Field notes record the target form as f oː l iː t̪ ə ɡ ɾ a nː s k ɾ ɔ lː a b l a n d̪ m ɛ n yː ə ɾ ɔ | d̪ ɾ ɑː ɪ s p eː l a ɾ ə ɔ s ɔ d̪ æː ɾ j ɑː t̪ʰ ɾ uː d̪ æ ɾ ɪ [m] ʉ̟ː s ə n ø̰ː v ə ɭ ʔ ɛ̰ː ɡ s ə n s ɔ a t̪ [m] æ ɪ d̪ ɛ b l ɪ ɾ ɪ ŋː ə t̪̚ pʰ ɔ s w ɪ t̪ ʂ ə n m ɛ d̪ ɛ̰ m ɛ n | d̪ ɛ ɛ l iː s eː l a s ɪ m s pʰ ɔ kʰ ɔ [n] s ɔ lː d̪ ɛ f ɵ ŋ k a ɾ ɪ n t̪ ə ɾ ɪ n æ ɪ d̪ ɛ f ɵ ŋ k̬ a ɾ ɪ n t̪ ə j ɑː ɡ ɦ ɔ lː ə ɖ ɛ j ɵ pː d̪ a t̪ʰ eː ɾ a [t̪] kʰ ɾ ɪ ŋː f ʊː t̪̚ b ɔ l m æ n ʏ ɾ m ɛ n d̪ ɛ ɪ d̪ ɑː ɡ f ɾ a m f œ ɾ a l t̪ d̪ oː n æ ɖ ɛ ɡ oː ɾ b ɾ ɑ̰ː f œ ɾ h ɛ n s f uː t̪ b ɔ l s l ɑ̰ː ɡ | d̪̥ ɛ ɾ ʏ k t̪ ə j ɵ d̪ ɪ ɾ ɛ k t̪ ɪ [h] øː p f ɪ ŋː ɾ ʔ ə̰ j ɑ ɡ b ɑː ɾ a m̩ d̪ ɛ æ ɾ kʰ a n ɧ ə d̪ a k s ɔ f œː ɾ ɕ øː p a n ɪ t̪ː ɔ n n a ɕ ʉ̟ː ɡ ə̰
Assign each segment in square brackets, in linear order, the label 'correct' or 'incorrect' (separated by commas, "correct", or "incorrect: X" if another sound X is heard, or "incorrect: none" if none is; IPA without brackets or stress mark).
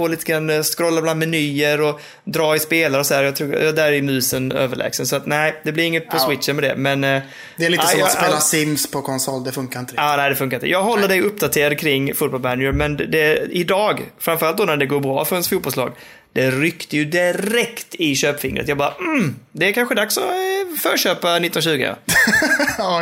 correct, incorrect: n, correct, incorrect: d̪, incorrect: ɕ